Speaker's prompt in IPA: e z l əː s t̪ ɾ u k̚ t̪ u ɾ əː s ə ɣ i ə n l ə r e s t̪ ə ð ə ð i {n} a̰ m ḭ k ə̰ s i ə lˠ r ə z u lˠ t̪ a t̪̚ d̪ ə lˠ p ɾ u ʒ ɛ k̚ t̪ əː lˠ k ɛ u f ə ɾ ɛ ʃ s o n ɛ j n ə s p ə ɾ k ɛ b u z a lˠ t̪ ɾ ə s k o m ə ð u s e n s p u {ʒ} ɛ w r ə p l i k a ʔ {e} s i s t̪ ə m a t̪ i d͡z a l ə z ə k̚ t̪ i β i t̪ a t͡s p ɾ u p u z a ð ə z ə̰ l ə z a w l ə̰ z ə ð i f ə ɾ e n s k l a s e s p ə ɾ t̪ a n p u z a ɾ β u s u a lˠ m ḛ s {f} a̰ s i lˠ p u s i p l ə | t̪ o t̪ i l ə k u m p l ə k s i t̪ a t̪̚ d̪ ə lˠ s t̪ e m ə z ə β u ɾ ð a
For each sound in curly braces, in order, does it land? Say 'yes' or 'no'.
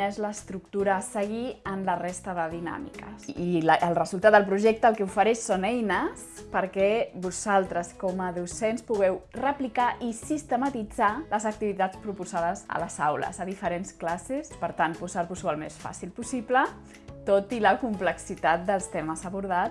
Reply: yes, no, no, yes

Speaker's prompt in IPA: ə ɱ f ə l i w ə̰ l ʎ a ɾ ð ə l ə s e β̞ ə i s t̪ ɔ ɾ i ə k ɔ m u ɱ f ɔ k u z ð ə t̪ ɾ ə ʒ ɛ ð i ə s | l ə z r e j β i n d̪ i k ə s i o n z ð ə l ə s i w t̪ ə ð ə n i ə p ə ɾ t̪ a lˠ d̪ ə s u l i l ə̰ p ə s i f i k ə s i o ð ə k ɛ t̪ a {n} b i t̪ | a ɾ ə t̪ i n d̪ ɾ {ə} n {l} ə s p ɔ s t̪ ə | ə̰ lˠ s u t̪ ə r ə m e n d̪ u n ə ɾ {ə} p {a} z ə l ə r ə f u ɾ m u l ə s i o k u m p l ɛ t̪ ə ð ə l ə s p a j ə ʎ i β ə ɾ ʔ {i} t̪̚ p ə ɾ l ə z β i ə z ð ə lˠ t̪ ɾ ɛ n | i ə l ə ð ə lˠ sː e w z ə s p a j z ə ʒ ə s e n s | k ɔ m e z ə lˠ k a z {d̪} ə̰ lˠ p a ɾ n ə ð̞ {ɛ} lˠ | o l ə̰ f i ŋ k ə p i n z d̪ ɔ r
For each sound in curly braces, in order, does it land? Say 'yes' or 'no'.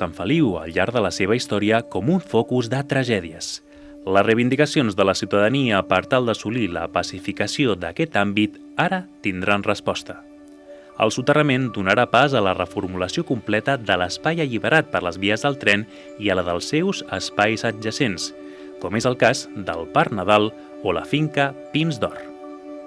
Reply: no, no, no, no, yes, no, yes, no

